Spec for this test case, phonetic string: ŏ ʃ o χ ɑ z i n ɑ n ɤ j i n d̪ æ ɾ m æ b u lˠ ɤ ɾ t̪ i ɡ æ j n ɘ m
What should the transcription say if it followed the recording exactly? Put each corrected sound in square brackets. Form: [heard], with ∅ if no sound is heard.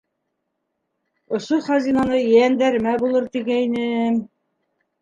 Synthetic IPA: ŏ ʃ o χ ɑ z i n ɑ n ɤ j [æ] n d̪ æ ɾ m æ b u lˠ ɤ ɾ t̪ i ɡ æ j n ɘ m

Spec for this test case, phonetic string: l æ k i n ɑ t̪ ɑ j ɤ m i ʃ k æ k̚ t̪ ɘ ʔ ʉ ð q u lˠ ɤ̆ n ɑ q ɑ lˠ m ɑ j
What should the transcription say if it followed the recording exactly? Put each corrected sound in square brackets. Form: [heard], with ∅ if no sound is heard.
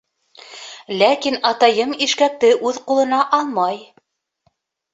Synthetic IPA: l æ k i n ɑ t̪ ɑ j ɤ m i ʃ k æ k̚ t̪ ɘ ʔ ʉ ð q u lˠ ɤ̆ n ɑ [ʔ] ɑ lˠ m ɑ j

